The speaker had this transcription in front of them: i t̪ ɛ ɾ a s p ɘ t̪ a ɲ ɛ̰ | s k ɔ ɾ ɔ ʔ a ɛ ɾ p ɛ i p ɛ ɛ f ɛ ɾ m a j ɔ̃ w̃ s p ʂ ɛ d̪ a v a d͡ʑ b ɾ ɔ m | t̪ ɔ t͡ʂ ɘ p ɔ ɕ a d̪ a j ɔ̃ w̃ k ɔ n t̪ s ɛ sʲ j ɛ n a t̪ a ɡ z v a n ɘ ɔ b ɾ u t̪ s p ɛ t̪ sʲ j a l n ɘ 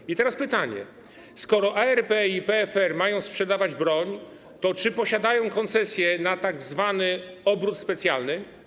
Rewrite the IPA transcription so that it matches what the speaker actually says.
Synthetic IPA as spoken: i t̪ ɛ ɾ a s p ɘ t̪ a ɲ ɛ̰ | s k ɔ ɾ ɔ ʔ a ɛ ɾ p ɛ i p ɛ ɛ f ɛ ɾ m a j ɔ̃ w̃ s p ʂ ɛ d̪ a v a d͡ʑ b ɾ ɔ ɲ | t̪ ɔ t͡ʂ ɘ p ɔ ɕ a d̪ a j ɔ̃ w̃ k ɔ n t̪ s ɛ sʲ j ɛ n a t̪ a ɡ z v a n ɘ ɔ b ɾ u t̪ s p ɛ t̪ sʲ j a l n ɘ

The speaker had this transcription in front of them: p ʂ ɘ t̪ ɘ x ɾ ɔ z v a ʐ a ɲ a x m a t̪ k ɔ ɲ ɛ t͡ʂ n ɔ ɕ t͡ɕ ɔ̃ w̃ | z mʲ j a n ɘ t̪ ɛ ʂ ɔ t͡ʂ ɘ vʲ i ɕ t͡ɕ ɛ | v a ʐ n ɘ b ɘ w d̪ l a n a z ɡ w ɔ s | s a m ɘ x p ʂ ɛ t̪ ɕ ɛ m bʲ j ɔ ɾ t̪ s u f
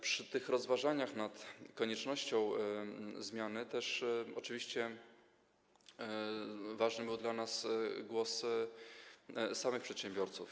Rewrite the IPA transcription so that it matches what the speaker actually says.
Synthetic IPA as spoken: p ʂ ɘ t̪ ɘ x ɾ ɔ z v a ʐ a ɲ a x n a t̪ k ɔ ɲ ɛ t͡ʂ n ɔ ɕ t͡ɕ ɔ̃ w̃ | z mʲ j a n ɘ t̪ ɛ ʂ ɔ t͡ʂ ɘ vʲ i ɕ t͡ɕ ɛ | v a ʐ n ɘ b ɘ w d̪ l a n a s ɡ w ɔ s | s a m ɘ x p ʂ ɛ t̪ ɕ ɛ m bʲ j ɔ ɾ t̪ s u f

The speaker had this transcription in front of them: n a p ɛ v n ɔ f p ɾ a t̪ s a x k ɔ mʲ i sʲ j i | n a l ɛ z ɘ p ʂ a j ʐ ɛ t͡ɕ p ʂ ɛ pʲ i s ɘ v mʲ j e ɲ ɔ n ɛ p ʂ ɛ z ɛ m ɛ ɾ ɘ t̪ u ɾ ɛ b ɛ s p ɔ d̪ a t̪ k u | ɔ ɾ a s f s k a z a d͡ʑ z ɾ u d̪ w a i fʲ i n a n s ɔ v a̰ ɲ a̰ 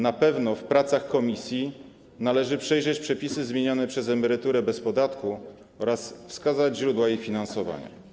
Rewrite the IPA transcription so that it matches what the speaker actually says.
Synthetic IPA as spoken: n a p ɛ v n ɔ f p ɾ a t̪ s a x k ɔ mʲ i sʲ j i | n a l ɛ ʐ ɘ p ʂ ɛ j ʐ ɛ t͡ɕ p ʂ ɛ pʲ i s ɘ z mʲ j e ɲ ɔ n ɛ p ʂ ɛ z ɛ m ɛ ɾ ɘ t̪ u ɾ ɛ b ɛ s p ɔ d̪ a t̪ k u | ɔ ɾ a s f s k a z a d͡ʑ ʑ ɾ u d̪ w a i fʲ i n a n s ɔ v a̰ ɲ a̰

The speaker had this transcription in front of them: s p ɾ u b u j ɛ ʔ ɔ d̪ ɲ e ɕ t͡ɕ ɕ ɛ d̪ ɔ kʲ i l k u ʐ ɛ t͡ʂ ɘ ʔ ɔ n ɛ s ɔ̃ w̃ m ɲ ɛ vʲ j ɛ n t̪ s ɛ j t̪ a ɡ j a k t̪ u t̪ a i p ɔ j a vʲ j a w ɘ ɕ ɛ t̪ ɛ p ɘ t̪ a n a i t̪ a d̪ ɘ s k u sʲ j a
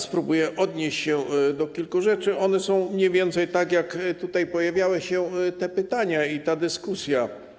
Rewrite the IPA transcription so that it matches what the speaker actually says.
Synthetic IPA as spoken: s p ɾ u b u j ɛ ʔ ɔ d̪ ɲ e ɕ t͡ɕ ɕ ɛ d̪ ɔ kʲ i l k u ʐ ɛ t͡ʂ ɘ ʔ ɔ n ɛ s ɔ̃ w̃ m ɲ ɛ vʲ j ɛ n t̪ s ɛ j t̪ a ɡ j a k t̪ u t̪ a j p ɔ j a vʲ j a w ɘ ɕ ɛ t̪ ɛ p ɘ t̪ a ɲ a i t̪ a d̪ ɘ s k u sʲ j a

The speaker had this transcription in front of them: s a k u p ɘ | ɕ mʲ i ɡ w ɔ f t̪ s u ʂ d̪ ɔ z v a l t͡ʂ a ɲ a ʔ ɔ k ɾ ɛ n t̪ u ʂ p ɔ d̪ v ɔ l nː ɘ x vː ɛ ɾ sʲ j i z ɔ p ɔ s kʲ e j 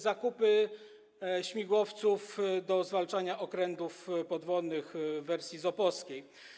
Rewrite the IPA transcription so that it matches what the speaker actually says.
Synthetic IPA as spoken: z a k u p ɘ | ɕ mʲ i ɡ w ɔ f t̪ s u f d̪ ɔ z v a l t͡ʂ a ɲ a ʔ ɔ k ɾ ɛ n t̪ u f p ɔ d̪ v ɔ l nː ɘ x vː ɛ ɾ sʲ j i z ɔ p ɔ s kʲ e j

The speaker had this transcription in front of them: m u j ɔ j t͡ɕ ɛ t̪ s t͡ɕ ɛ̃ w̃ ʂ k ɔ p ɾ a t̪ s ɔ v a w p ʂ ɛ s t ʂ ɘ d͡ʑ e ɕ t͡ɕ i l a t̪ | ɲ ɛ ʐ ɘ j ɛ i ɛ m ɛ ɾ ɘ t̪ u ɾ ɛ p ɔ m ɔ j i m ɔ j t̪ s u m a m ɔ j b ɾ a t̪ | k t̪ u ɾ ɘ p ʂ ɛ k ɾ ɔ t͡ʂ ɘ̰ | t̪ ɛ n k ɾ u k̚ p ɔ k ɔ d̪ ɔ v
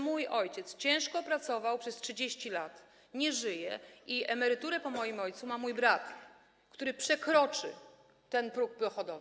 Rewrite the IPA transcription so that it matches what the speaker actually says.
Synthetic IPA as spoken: m u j ɔ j t͡ɕ ɛ t̪ s t͡ɕ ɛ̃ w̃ ʂ k ɔ p ɾ a t̪ s ɔ v a w p ʂ ɛ s t ʂ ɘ d͡ʑ e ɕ t͡ɕ i l a t̪ | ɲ ɛ ʐ ɘ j ɛ i ɛ m ɛ ɾ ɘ t̪ u ɾ ɛ p ɔ m ɔ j i m ɔ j t̪ s u m a m u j b ɾ a t̪ | k t̪ u ɾ ɘ p ʂ ɛ k ɾ ɔ t͡ʂ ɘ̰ | t̪ ɛ n p ɾ u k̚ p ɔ x ɔ d̪ ɔ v

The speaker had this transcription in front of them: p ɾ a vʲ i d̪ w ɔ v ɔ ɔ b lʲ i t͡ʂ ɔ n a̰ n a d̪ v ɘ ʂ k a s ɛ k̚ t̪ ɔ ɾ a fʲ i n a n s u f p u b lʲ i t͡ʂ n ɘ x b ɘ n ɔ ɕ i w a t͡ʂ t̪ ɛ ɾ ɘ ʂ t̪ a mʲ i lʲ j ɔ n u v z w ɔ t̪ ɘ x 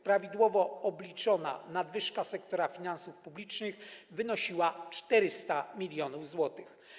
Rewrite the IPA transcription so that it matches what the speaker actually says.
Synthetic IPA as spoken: p ɾ a vʲ i d̪ w ɔ v ɔ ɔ b lʲ i t͡ʂ ɔ n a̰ n a d̪ v ɘ ʂ k a s ɛ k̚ t̪ ɔ ɾ a fʲ i n a n s u f p u b lʲ i t͡ʂ n ɘ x v ɘ n ɔ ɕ i w a t͡ʂ t̪ ɛ ɾ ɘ s t̪ a mʲ i lʲ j ɔ n u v z w ɔ t̪ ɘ x

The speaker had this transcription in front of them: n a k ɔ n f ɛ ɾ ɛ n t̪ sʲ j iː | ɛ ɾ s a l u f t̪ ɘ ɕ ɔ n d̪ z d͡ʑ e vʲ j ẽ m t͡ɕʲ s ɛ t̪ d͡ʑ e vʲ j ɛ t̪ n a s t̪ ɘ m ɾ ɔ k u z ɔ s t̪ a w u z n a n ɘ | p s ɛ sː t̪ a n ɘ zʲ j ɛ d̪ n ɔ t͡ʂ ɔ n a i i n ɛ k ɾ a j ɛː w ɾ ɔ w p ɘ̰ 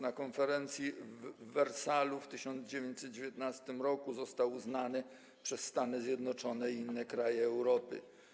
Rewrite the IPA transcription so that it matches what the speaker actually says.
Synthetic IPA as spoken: n a k ɔ n f ɛ ɾ ɛ n t̪ sʲ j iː | ɛ ɾ s a l u f t̪ ɘ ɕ ɔ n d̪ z d͡ʑ e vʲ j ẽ ɲ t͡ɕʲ s ɛ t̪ d͡ʑ e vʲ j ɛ t̪ n a s t̪ ɘ m ɾ ɔ k u z ɔ s t̪ a w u z n a n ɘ | p ʂ ɛ sː t̪ a n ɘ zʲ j ɛ d̪ n ɔ t͡ʂ ɔ n ɛ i i nː ɛ k ɾ a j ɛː w ɾ ɔ p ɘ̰

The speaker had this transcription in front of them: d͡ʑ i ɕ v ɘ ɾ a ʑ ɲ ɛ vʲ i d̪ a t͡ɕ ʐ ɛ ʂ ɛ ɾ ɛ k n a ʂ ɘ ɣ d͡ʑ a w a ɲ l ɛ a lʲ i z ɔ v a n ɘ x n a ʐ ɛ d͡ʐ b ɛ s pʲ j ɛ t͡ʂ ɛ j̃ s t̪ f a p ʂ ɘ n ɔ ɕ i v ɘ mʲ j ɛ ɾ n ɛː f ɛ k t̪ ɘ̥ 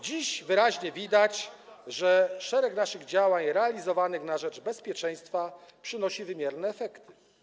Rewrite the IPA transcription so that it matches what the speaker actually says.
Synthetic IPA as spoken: d͡ʑ i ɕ v ɘ ɾ a ʑ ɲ ɛ vʲ i d̪ a t͡ɕ ʐ ɛ ʂ ɛ ɾ ɛ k n a ʂ ɘ ɣ d͡ʑ a w a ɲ ɾ ɛ a lʲ i z ɔ v a n ɘ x n a ʐ ɛ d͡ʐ b ɛ s pʲ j ɛ t͡ʂ ɛ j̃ s t̪ f a p ʂ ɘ n ɔ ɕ i v ɘ mʲ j ɛ ɾ n ɛː f ɛ k t̪ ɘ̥

